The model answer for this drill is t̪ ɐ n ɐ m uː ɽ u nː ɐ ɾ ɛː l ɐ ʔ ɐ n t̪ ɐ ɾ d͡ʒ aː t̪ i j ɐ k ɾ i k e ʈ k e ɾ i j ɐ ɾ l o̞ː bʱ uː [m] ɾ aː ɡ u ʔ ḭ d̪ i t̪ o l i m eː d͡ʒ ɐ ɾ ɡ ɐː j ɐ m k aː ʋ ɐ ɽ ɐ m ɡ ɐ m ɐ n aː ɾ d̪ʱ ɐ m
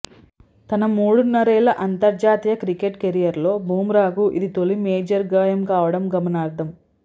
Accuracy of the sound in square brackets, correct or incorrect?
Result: correct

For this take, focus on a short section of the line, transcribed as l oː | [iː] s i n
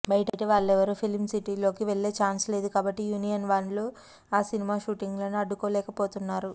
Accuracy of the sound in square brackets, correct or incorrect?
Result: incorrect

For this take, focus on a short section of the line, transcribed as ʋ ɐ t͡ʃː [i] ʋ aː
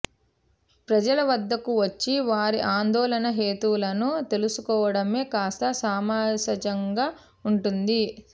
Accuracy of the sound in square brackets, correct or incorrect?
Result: correct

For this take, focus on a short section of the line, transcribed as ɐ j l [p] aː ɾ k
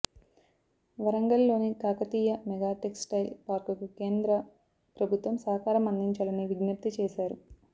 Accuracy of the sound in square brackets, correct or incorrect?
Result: correct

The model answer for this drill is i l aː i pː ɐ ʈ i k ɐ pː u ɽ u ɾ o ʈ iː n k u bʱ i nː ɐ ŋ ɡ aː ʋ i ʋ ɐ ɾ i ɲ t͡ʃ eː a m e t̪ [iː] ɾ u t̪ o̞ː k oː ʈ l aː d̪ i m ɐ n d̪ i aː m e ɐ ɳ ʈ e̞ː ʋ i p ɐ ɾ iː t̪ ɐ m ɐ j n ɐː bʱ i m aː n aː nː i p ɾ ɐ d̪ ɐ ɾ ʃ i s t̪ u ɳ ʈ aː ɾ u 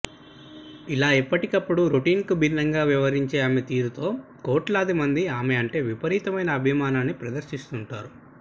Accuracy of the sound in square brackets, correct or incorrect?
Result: correct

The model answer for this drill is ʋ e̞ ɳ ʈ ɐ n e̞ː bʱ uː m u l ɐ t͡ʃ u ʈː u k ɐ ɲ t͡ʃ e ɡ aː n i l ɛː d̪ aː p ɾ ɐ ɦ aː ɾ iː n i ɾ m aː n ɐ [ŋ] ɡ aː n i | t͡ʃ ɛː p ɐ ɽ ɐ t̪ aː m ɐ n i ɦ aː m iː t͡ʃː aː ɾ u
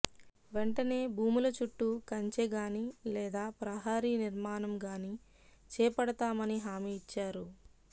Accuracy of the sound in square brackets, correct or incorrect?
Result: incorrect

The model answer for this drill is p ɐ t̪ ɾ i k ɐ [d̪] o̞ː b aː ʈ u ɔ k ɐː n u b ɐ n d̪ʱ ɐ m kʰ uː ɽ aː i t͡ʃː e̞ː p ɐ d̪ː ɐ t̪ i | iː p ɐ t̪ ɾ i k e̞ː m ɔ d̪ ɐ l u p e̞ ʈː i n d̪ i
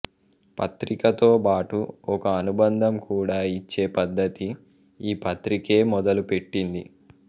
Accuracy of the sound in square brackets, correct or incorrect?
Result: incorrect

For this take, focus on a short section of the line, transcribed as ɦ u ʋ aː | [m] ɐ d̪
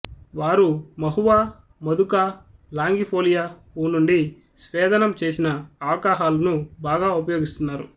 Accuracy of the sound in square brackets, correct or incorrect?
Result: correct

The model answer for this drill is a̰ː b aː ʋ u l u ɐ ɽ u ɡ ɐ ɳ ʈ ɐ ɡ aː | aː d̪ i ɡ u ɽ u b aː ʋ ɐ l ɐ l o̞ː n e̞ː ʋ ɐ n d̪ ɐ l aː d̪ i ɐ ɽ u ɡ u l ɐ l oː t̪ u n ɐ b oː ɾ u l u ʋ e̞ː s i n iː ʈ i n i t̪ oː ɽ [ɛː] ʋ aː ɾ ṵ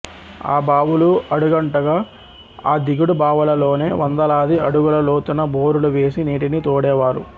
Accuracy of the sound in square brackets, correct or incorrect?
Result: correct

